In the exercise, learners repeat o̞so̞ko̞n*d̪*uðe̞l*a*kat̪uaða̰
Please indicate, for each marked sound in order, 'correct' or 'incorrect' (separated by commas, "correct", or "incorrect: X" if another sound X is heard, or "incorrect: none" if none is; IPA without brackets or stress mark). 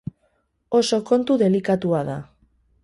incorrect: t̪, incorrect: i